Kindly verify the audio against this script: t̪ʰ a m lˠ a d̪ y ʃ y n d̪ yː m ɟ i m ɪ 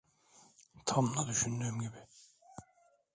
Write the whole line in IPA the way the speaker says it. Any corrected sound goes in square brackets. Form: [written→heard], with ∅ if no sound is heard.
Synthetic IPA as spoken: t̪ʰ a m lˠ a d̪ y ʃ y n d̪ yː m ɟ i [m→b] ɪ